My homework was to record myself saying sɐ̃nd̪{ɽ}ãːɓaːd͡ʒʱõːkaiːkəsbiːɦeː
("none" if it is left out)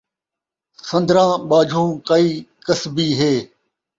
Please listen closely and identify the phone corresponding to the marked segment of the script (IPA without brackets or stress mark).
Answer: ɾ